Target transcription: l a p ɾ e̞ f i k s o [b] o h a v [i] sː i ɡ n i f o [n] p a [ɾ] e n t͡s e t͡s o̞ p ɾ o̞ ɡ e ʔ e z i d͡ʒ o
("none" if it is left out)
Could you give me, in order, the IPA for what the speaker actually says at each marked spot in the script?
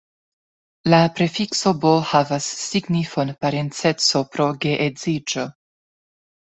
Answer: b, a, n, ɾ

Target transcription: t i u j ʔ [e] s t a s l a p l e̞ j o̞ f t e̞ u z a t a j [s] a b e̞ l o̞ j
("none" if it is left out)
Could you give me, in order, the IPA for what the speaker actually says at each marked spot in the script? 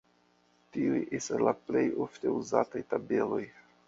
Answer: e, t

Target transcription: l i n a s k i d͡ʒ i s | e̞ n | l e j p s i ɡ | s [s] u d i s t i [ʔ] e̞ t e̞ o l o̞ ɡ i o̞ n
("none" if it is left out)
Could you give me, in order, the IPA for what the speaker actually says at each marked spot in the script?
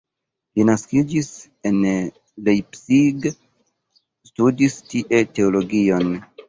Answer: t, ʔ

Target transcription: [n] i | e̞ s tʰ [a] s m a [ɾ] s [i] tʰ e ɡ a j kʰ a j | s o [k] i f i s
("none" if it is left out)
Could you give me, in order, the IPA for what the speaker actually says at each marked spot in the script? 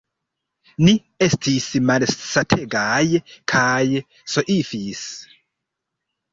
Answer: n, i, l, a, ʔ

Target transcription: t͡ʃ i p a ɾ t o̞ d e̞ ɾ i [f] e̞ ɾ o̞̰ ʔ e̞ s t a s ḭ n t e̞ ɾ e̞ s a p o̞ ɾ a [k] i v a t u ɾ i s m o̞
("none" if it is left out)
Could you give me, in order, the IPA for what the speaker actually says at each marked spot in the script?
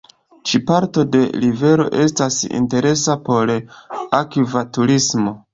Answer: v, k

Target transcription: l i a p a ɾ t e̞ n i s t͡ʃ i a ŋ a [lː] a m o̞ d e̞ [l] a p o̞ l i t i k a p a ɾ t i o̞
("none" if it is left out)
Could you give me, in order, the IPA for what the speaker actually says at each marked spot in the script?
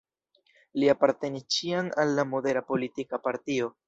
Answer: lː, ɾ

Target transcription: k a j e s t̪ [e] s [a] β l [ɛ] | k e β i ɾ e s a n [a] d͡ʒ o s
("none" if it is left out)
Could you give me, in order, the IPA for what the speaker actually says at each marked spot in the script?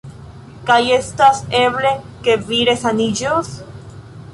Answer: a, e, e, i

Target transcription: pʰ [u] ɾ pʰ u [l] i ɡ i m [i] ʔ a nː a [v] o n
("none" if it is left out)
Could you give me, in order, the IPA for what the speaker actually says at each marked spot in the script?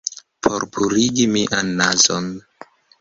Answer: o, ɾ, i, z

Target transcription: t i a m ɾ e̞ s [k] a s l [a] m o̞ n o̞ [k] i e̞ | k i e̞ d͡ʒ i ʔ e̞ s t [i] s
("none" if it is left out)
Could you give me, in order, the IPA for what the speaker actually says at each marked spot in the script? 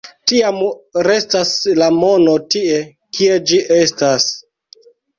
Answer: t, a, t, a

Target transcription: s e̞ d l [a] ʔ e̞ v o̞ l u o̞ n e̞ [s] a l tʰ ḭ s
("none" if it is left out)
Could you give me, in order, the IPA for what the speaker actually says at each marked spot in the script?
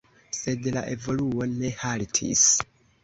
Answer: a, h

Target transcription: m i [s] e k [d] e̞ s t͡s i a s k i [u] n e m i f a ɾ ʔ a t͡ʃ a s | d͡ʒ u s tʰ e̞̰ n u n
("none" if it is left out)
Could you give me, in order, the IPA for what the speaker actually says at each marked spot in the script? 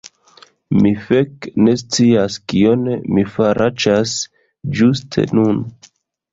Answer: f, n, o

